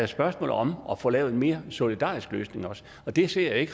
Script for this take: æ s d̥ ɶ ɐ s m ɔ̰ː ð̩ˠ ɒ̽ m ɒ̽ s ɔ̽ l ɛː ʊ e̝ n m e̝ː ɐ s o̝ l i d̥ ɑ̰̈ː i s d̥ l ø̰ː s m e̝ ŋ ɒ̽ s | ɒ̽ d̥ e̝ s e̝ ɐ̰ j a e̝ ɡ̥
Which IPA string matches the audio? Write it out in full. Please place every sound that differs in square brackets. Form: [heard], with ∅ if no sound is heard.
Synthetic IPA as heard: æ s [b̥] ɶ ɐ s m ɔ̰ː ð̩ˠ ɒ̽ m ɒ̽ [f] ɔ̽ l ɛː ʊ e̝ n m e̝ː ɐ s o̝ l i d̥ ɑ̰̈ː i s [ɡ̥] l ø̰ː s [n] e̝ ŋ ɒ̽ s | ɒ̽ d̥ e̝ s e̝ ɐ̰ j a e̝ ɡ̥